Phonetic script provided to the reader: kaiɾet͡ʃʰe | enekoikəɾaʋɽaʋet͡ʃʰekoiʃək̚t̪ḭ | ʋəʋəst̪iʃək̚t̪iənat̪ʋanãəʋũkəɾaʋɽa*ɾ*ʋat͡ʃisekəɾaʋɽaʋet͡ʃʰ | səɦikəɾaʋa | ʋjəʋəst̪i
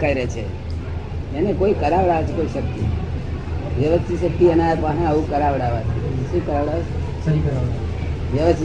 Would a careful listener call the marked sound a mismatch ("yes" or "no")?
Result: yes